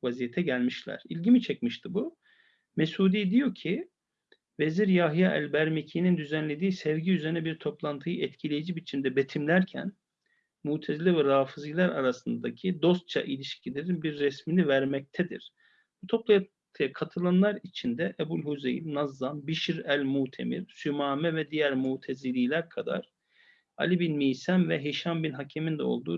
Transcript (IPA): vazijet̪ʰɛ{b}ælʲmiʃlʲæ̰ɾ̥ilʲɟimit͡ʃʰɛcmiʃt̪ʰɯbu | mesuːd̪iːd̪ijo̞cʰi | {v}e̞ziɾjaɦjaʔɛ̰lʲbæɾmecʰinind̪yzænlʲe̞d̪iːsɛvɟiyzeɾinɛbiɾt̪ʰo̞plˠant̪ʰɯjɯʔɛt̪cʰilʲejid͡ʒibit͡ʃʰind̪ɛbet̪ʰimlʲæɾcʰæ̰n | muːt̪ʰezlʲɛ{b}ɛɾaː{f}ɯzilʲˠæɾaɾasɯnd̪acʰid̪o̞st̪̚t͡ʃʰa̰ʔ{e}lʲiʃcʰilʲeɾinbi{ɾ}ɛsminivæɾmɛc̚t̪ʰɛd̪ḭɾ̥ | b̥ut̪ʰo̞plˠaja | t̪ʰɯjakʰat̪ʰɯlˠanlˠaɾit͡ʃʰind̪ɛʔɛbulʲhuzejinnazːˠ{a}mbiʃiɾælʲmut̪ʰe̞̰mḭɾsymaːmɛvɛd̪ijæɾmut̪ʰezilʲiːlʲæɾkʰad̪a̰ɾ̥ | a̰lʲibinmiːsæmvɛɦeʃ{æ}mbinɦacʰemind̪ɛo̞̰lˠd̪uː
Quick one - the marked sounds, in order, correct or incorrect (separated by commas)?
incorrect, correct, incorrect, correct, incorrect, incorrect, correct, incorrect